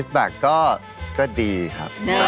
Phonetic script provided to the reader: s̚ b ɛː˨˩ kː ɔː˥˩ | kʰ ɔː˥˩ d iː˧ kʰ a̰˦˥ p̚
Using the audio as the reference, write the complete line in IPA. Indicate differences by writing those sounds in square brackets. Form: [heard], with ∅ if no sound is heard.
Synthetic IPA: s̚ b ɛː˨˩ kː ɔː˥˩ | [k] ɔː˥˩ d iː˧ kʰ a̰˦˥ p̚